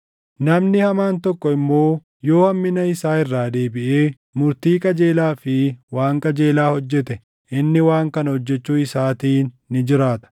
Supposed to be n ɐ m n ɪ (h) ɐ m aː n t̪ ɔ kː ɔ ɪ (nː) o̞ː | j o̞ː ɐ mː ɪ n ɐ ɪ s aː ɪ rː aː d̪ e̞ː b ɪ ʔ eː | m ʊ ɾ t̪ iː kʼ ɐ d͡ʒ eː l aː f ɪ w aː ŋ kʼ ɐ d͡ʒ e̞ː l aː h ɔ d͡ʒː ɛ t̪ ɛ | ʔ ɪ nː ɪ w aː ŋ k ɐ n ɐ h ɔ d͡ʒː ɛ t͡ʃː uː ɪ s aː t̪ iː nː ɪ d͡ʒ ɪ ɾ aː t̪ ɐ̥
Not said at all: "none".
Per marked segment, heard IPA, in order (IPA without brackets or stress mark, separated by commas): h, mː